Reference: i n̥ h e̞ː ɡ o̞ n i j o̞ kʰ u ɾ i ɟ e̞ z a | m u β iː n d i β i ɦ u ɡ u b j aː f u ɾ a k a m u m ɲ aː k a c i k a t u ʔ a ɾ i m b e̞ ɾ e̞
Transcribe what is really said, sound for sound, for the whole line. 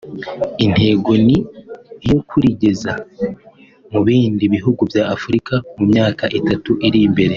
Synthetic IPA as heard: i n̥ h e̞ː ɡ o̞ n i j o̞ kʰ u ɾ i ɟ e̞ z a | m u β iː n d i β i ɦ u ɡ u v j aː f u ɾ i k a m u m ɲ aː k a ʔ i t a t u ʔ i ɾ i m b e̞ ɾ e̞